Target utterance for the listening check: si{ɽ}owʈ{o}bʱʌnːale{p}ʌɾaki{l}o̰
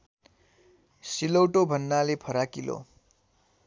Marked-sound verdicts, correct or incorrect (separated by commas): incorrect, correct, incorrect, correct